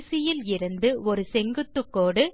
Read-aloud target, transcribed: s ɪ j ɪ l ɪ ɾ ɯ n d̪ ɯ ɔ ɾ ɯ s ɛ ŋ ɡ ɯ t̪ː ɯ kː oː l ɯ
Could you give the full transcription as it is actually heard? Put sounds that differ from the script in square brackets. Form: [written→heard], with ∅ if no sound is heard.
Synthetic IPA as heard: s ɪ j ɪ l ɪ ɾ ɯ n d̪ ɯ ɔ ɾ ɯ s ɛ ŋ ɡ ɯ t̪ː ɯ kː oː [l→ɽ] ɯ